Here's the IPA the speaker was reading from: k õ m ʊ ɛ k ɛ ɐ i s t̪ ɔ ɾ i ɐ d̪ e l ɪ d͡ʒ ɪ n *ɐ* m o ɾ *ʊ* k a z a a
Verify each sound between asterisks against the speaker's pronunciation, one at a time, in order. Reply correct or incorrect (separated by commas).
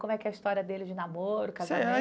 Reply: incorrect, correct